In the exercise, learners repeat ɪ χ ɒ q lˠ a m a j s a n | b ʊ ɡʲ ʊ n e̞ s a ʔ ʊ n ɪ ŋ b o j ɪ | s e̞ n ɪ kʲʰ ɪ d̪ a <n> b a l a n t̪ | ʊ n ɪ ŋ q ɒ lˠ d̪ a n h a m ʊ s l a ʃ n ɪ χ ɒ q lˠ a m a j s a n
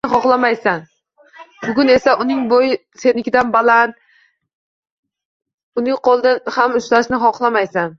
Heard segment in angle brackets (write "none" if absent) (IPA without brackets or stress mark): n